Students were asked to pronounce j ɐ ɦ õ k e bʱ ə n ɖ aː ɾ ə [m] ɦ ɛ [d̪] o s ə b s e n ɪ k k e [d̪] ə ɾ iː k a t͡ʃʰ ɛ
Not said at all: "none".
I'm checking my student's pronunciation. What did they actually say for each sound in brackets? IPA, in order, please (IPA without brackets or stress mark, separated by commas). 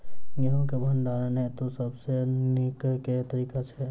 n, t̪, t̪